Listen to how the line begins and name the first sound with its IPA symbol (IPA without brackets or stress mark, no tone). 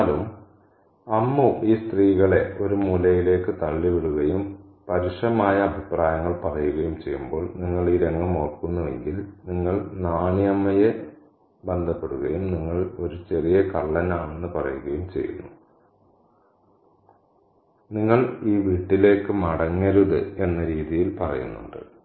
l